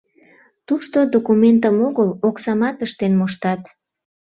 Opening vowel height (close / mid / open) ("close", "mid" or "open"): close